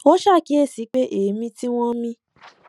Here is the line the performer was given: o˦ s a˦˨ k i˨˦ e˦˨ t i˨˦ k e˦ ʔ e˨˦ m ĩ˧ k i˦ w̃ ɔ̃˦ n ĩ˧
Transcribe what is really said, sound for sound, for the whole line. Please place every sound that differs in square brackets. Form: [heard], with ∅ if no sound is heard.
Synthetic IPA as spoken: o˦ [ʃ] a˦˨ k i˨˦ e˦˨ [s] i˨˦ [k͡p] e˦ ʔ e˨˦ m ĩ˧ [t] i˦ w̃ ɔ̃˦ [m] ĩ˧